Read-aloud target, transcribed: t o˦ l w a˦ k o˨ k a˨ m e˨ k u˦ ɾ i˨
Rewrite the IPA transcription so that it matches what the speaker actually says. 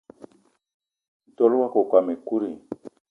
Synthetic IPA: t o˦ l w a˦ k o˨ k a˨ m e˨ k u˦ ɾ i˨